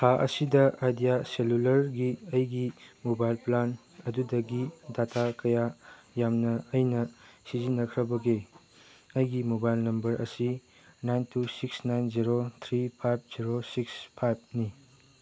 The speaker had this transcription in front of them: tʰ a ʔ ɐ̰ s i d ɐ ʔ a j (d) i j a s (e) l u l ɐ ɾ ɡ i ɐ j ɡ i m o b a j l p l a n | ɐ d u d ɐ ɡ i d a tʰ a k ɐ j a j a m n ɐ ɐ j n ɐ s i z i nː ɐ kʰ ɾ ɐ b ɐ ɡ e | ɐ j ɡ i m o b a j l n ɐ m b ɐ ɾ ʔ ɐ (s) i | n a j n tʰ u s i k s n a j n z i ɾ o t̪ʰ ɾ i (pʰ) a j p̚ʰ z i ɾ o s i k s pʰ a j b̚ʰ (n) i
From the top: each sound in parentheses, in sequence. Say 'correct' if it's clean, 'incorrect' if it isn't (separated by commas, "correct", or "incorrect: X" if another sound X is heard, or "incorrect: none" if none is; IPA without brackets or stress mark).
correct, correct, correct, correct, correct